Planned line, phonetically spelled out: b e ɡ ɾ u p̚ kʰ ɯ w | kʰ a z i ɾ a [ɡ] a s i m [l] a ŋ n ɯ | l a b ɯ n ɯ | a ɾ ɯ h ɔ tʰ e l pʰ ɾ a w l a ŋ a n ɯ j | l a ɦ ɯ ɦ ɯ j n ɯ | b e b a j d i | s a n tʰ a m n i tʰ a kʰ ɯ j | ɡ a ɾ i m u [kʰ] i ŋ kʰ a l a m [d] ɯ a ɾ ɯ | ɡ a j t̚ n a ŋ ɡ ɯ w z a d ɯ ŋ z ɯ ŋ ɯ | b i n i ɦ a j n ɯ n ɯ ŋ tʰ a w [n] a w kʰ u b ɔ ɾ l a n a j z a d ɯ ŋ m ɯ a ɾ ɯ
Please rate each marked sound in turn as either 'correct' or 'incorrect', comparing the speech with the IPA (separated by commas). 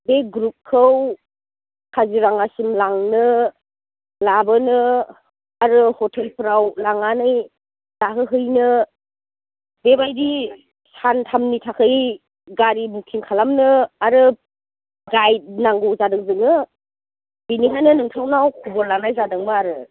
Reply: incorrect, correct, correct, incorrect, correct